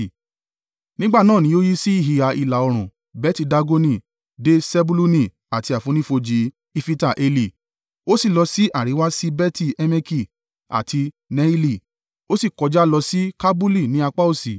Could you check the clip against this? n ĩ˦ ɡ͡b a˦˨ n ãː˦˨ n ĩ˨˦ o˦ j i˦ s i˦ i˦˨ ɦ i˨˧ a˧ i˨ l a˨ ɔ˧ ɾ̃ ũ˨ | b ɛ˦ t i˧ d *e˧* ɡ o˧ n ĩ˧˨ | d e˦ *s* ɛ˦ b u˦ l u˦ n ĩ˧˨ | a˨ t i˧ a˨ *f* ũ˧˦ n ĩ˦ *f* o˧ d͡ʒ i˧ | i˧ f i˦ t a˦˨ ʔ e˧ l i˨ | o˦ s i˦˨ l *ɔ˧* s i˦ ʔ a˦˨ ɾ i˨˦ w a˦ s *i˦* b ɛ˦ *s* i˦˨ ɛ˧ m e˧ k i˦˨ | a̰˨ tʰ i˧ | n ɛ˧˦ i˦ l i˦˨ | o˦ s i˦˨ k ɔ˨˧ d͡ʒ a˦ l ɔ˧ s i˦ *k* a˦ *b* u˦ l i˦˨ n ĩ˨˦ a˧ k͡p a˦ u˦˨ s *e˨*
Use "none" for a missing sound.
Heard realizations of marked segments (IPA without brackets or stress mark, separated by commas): a˧, s, f, f, ɔ˧, i˦, t, k, b, i˨